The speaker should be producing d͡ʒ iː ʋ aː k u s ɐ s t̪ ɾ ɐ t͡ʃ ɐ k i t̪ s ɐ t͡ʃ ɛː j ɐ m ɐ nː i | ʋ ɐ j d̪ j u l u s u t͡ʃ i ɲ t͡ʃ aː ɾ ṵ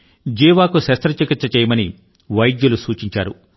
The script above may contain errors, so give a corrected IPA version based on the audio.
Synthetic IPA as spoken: d͡ʒ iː ʋ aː k u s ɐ s t̪ ɾ ɐ t͡ʃ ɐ k i t̪ s ɐ t͡ʃ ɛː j ɐ m ɐ n i | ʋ ɐ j d̪ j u l u s uː t͡ʃ i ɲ t͡ʃ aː ɾ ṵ

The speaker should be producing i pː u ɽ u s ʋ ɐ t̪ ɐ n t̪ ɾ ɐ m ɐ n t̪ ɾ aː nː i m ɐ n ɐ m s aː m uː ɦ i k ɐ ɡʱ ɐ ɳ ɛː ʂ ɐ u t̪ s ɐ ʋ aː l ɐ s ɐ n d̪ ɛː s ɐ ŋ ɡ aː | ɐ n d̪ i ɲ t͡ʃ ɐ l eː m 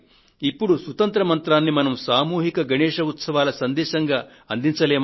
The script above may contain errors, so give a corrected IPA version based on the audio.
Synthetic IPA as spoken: i pː u ɽ u s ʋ ɐ t̪ ɐ n t̪ ɾ ɐ m ɐ n t̪ ɾ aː nː i m ɐ n ɐ m s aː m uː ɦ i k ɐ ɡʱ ɐ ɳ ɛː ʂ ɐ u t̪ s ɐ ʋ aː l ɐ s ɐ n d̪ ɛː ʃ ɐ ŋ ɡ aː | ɐ n d̪ i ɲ t͡ʃ ɐ l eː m

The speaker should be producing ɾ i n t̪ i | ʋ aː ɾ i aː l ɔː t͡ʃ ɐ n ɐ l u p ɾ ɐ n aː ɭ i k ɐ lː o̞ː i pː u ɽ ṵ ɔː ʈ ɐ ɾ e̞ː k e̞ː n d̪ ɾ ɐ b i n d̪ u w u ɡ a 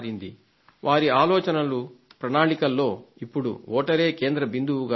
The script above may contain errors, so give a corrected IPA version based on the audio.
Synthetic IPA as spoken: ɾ i n d̪ i | ʋ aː ɾ i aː l ɔː t͡ʃ ɐ n ɐ l u p ɾ ɐ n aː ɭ i k ɐ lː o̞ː i pː u ɽ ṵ ɔː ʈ ɐ ɾ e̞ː k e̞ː n d̪ ɾ ɐ b i n d̪ u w u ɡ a

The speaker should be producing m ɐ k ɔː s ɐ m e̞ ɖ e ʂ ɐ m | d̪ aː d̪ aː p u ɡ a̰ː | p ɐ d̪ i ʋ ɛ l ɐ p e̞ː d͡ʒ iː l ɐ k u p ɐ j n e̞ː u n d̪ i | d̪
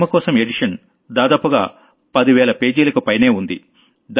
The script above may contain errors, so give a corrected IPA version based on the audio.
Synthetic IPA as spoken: m ɐ k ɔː s ɐ m e̞ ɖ i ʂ ɐ n | d̪ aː d̪ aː p u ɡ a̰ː | p ɐ d̪ i ʋ ɛː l ɐ p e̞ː d͡ʒ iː l ɐ k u p ɐ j n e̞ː u n d̪ i | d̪

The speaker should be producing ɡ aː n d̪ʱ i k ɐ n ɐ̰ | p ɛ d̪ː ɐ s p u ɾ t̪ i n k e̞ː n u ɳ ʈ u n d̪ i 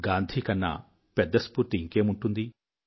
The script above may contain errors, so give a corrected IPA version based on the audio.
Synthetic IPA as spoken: ɡ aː n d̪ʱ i k ɐ nː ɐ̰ | p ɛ d̪ː ɐ s p u ɾ t̪ i ŋ k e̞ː m u ɳ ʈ u n d̪ i

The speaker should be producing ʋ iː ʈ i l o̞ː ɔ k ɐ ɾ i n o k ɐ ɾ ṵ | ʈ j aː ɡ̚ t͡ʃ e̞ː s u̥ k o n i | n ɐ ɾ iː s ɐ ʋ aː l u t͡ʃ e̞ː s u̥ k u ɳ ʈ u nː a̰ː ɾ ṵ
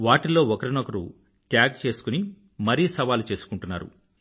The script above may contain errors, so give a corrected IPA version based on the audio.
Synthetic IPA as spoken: ʋ aː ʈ i l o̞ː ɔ k ɐ ɾ i n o k ɐ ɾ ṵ | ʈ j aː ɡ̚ t͡ʃ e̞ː s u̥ k u n i | m ɐ ɾ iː s ɐ ʋ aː l u t͡ʃ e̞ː s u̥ k u ɳ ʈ u nː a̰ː ɾ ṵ

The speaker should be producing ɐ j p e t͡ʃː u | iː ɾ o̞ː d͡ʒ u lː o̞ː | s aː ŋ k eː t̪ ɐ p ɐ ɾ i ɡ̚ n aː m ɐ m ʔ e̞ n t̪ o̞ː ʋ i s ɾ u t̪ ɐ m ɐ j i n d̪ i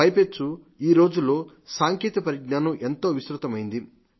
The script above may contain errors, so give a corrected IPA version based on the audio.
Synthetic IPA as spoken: ɐ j p e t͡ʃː u | iː ɾ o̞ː d͡ʒ u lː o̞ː | s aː ŋ k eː t̪ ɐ p ɐ ɾ i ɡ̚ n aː n ɐ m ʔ e̞ n t̪ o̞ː ʋ i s ɾ u t̪ ɐ m ɐ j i n d̪ i

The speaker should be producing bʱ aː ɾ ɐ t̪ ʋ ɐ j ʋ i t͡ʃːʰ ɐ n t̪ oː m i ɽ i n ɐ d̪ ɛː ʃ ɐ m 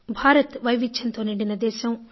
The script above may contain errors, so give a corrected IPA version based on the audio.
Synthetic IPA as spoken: bʱ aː ɾ ɐ t̪ ʋ ɐ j ʋ i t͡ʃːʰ ɐ n t̪ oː n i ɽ i n ɐ d̪ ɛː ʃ ɐ m

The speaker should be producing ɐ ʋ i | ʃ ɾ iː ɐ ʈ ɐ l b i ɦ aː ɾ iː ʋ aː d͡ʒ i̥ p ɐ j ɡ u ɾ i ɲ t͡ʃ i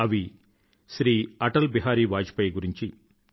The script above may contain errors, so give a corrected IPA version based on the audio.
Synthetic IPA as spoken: ɐ ʋ i | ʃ ɾ iː ɐ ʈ ɐ l b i ɦ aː ɾ iː ʋ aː d͡ʒ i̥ p ɐ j ɡ u ɾ i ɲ t͡ʃ i

